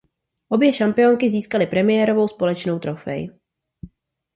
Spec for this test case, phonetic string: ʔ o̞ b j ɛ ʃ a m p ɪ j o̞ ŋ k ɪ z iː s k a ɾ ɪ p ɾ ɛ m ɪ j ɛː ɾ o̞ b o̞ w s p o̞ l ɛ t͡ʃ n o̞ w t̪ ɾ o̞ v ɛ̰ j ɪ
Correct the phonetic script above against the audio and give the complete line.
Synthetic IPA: ʔ o̞ b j ɛ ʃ a m p ɪ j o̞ ŋ k ɪ z iː s k a l ɪ p ɾ ɛ m ɪ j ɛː ɾ o̞ v o̞ w s p o̞ l ɛ t͡ʃ n o̞ w t̪ ɾ o̞ f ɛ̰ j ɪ